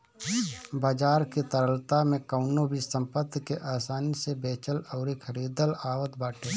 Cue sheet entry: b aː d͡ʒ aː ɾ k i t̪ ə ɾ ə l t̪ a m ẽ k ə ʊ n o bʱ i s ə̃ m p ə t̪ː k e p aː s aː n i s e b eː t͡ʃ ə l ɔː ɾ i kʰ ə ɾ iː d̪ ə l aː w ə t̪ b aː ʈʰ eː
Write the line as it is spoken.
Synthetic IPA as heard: b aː d͡ʒ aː ɾ k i t̪ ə ɾ ə l t̪ a m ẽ k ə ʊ n o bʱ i s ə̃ m p ə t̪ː k e ʔ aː s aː n i s e b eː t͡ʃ ə l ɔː ɾ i kʰ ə ɾ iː d̪ ə l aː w ə t̪ b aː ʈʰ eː